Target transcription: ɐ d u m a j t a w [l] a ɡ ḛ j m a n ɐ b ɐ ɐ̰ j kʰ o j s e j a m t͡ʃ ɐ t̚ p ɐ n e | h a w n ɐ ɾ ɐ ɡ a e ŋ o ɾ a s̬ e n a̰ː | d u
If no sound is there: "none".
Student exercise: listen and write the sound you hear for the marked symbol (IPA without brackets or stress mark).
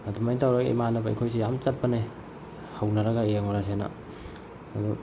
ɾ